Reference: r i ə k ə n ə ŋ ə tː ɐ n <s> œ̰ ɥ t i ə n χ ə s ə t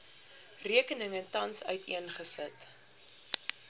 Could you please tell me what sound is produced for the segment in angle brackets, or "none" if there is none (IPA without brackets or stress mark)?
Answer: s